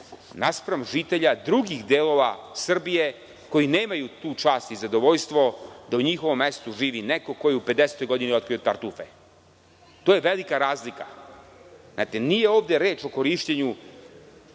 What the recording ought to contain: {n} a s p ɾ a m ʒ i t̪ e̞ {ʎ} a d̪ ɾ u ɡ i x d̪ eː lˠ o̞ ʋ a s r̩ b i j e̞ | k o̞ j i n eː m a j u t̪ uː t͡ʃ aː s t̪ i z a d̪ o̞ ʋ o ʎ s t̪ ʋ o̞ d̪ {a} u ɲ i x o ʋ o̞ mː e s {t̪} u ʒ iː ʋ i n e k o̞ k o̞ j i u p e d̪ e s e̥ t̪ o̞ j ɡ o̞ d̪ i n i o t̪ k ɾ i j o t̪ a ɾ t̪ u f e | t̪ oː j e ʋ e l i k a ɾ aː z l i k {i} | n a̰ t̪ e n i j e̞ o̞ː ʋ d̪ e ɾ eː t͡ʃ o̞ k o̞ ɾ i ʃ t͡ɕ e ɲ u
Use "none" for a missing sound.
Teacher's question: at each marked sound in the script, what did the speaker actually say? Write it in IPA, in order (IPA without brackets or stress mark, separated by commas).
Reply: n, ʎ, a, t̪, a